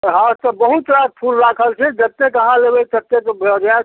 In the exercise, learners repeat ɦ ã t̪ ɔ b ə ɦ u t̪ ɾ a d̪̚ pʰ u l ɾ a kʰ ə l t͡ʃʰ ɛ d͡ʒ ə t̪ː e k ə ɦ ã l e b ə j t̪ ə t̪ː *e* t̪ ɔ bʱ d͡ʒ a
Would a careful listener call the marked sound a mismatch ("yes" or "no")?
no